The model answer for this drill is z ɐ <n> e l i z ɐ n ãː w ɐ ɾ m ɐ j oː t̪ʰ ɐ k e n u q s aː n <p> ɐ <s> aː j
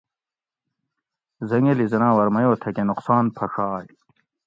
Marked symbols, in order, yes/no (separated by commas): no, no, no